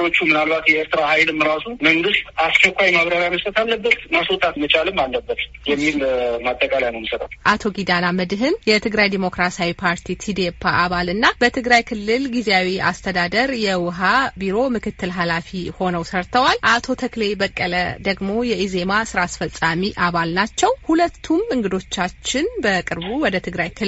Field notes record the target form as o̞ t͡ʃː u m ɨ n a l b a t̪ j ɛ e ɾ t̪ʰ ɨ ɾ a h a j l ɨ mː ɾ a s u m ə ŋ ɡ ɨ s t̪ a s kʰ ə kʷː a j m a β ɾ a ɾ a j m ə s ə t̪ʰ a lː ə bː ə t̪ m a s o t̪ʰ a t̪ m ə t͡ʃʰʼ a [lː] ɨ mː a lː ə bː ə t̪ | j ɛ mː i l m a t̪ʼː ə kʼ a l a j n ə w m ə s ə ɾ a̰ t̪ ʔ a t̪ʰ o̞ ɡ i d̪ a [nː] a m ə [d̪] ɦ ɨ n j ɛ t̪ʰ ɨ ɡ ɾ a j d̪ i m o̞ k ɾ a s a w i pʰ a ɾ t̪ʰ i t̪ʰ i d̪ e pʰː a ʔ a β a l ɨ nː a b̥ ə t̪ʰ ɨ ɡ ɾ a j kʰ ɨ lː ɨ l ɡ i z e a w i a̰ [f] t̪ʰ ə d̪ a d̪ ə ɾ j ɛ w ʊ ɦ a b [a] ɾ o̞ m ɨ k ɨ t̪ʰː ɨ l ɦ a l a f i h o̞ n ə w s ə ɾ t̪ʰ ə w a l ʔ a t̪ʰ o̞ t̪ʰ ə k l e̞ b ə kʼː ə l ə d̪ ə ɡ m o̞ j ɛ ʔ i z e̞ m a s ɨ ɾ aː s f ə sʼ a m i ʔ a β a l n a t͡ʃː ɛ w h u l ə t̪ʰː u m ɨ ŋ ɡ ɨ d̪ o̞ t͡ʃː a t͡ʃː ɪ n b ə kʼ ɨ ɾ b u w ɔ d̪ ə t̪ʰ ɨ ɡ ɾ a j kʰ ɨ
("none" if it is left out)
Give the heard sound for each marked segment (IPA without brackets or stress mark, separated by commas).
l, n, d̪, s, i